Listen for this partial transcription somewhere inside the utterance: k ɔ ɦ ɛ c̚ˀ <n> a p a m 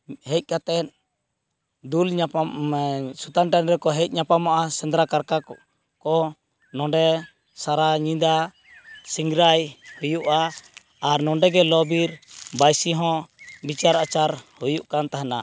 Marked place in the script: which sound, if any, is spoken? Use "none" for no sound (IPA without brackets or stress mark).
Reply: ɲ